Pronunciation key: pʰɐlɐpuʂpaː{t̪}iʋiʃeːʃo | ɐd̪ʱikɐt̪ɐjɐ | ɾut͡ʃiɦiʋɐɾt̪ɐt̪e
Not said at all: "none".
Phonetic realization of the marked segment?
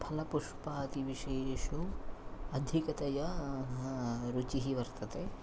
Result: t̪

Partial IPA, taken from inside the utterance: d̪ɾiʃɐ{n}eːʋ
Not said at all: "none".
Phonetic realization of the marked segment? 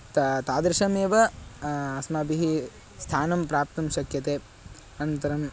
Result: m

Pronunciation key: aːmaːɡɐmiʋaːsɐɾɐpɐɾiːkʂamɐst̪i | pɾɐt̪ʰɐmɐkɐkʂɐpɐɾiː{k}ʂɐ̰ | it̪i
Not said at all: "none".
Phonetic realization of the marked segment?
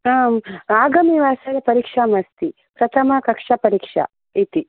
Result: k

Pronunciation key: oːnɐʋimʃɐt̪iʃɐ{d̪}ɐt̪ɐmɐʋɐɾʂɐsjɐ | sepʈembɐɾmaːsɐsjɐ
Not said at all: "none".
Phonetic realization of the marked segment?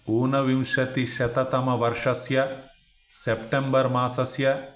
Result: t̪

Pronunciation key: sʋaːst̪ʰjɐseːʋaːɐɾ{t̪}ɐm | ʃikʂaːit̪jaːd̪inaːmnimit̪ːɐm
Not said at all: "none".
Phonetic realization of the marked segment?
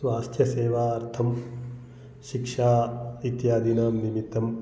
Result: t̪ʰ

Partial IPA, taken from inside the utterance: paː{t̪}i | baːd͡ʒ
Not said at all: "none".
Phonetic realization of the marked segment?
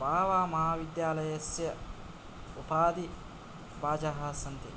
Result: d̪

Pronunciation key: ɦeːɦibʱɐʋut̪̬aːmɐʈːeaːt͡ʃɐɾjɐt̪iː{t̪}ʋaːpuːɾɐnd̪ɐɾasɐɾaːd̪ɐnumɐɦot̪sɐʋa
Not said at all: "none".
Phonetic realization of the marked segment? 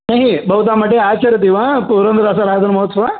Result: none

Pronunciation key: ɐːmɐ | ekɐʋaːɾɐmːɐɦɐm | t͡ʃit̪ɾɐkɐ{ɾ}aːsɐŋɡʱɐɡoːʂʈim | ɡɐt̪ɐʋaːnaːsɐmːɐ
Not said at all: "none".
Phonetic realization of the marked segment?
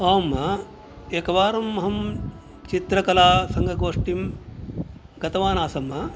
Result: l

